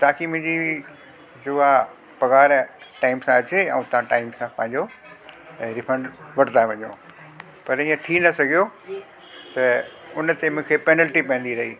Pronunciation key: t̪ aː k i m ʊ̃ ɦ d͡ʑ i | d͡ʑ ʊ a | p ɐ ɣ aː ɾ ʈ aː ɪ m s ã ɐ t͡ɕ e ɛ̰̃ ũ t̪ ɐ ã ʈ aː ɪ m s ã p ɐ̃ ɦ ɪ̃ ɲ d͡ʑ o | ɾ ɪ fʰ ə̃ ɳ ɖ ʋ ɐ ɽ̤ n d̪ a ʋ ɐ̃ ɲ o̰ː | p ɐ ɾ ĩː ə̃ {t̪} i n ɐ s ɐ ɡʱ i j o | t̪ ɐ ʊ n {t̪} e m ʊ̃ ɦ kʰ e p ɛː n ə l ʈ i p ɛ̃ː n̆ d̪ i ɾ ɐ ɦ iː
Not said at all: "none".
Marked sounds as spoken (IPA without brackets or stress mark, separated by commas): t̪ʰ, t̪